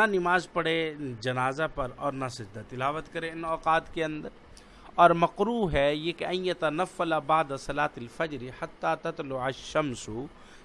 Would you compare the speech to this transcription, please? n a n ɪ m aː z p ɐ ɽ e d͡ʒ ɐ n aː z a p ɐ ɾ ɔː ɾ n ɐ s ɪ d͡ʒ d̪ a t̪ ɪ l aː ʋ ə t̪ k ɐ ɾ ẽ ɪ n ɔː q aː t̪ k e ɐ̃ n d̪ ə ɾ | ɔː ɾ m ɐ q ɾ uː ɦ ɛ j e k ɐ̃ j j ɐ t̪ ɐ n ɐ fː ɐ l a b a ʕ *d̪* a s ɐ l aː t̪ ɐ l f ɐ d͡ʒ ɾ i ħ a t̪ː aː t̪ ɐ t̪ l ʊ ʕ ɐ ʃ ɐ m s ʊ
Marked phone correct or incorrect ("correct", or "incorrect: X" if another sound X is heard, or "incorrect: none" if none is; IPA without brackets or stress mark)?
correct